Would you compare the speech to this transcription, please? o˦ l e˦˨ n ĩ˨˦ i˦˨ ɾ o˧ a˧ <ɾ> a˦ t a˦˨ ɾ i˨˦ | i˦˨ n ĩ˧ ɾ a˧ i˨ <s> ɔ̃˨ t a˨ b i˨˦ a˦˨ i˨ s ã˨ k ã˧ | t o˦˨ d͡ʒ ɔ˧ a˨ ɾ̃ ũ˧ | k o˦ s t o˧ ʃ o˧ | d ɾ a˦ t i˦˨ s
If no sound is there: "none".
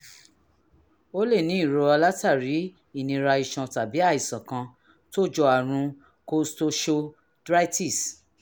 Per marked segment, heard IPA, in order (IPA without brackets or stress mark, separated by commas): l, ʃ